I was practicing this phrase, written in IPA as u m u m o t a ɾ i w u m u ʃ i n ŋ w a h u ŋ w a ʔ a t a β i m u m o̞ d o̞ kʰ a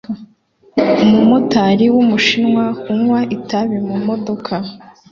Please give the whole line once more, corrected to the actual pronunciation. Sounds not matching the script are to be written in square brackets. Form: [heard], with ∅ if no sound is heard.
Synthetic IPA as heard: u m u m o t a ɾ i w u m u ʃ i n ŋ w a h u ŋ w a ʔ [i] t a β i m u m o̞ d o̞ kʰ a